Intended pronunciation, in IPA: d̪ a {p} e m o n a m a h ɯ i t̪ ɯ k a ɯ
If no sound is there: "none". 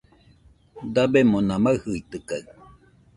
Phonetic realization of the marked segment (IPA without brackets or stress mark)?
b